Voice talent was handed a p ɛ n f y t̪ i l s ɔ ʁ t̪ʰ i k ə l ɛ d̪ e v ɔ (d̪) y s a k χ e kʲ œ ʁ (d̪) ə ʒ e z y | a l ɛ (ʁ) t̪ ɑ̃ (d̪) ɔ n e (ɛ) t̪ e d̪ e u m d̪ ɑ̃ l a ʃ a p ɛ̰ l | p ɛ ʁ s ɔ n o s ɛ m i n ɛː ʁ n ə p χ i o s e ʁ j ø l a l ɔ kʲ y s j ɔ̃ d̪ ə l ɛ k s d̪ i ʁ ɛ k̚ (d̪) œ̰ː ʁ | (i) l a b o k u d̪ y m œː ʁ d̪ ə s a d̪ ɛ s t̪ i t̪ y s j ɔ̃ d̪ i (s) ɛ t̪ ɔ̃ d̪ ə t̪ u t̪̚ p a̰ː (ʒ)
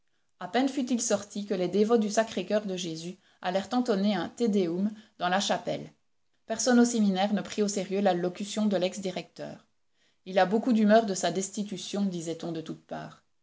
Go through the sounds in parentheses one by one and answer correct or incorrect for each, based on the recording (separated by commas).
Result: correct, correct, correct, incorrect, incorrect, incorrect, correct, incorrect, incorrect